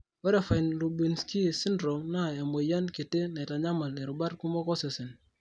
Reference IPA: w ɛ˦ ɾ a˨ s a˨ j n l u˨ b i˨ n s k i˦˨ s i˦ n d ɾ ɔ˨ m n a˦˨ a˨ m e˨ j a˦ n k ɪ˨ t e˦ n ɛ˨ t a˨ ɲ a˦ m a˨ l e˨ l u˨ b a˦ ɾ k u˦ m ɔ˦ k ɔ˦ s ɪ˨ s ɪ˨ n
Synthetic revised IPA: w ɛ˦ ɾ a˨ f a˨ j n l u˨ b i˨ n s k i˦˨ s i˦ n d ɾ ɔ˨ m n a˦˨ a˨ m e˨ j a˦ n k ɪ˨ t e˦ n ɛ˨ t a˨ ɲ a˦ m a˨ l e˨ ɾ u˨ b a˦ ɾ k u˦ m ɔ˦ k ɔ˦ s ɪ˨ s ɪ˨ n